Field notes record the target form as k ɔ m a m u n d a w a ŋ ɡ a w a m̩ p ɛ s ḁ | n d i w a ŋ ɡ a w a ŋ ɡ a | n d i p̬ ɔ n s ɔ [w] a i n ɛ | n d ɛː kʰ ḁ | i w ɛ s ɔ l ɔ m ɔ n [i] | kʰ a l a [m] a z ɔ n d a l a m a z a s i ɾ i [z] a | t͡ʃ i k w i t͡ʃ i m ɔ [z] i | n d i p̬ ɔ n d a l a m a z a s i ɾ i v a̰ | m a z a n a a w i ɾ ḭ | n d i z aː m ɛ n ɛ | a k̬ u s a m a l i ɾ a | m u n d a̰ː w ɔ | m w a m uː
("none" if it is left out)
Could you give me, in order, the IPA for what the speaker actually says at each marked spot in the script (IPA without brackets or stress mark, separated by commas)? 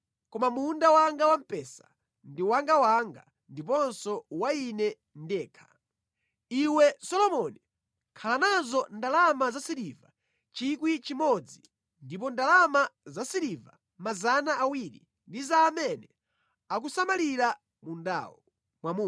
w, i, n, v, d͡z